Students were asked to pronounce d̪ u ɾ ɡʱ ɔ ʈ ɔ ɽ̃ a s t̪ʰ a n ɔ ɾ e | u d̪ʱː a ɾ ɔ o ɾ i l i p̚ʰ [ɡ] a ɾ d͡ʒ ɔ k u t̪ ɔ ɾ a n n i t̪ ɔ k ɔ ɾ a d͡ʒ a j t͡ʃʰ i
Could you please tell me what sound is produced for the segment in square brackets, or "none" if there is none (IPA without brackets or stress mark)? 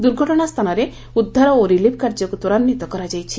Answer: k